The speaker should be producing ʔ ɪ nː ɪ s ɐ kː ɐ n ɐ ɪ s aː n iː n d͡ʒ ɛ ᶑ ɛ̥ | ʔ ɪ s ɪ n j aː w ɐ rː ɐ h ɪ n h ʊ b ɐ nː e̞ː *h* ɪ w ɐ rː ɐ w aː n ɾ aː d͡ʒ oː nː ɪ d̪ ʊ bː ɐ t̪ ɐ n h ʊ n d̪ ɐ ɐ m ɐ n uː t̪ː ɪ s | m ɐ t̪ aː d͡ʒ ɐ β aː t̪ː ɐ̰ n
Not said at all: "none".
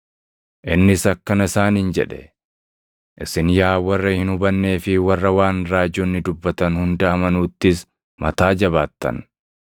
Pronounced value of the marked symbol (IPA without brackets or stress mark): f